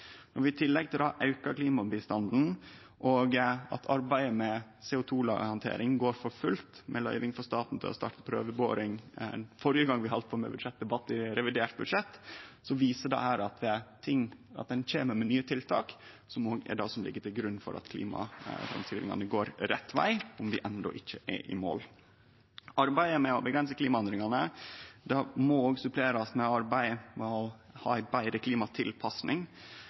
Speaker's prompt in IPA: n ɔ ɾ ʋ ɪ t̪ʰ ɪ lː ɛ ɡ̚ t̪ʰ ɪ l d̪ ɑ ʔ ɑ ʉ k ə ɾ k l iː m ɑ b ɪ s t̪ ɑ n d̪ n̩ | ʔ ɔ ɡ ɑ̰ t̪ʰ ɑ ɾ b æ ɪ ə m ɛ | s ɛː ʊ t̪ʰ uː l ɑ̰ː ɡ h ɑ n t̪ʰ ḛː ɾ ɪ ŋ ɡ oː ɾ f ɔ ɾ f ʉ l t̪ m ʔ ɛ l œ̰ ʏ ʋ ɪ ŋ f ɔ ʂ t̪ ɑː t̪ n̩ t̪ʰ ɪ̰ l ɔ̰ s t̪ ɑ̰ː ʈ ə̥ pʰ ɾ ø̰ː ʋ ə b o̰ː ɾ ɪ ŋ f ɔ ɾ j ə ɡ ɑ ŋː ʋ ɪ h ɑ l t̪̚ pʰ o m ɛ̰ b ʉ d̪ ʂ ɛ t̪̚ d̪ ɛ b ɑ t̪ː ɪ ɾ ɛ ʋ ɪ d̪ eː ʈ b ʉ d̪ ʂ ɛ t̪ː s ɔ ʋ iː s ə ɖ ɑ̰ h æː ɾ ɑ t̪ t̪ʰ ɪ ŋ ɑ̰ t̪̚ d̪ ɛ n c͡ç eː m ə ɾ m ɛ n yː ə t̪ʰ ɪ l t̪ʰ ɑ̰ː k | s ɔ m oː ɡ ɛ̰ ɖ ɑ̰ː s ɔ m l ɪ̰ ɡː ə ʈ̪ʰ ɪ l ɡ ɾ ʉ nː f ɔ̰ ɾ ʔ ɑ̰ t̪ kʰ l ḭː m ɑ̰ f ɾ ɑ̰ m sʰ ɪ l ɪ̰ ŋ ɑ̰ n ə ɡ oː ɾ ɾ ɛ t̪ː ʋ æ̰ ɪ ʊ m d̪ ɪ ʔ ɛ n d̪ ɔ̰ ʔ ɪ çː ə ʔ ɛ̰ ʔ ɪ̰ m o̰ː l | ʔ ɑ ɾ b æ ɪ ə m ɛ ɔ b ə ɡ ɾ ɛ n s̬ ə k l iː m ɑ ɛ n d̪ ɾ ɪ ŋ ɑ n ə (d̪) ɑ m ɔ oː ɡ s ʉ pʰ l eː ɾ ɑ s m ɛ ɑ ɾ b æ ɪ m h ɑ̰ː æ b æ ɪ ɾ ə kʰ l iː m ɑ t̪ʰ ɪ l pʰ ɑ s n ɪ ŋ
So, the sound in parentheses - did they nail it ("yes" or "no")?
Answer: yes